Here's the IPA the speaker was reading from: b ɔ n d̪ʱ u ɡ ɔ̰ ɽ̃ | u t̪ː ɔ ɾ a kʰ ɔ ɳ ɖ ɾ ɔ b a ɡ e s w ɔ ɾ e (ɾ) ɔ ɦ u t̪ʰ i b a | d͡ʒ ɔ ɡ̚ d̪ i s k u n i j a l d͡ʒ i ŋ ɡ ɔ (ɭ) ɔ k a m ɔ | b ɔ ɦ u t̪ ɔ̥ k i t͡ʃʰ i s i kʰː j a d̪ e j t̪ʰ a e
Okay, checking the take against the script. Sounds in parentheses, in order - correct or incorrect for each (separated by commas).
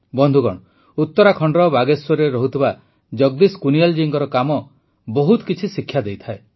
correct, incorrect